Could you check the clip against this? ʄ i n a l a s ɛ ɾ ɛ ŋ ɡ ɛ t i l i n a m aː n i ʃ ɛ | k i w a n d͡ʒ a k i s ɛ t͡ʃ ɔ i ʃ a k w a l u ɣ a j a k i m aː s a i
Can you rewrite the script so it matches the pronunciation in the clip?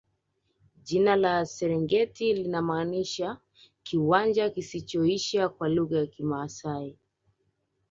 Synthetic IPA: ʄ i n a l a s ɛ ɾ ɛ ŋ ɡ ɛ t i l i n a m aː n i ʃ a | k i w a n d͡ʒ a k i s i t͡ʃ ɔ i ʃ a k w a l u ɣ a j a k i m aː s a i